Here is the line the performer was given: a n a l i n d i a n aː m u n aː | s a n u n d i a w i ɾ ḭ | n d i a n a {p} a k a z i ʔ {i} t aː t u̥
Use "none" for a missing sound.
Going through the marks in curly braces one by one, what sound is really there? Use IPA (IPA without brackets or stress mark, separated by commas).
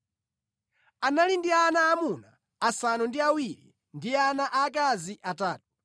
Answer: ʔ, a